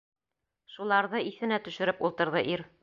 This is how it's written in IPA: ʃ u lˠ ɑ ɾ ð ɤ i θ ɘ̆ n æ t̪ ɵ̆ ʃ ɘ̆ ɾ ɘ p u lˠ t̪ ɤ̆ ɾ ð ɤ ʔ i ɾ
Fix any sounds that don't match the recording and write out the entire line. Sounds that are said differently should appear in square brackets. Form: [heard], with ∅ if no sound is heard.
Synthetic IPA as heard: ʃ u lˠ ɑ ɾ ð ɤ i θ ɘ̆ n æ t̪ ɵ̆ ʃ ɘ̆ ɾ ɘ p u lˠ t̪ ɤ̆ ɾ ð ɤ ʔ i ɾ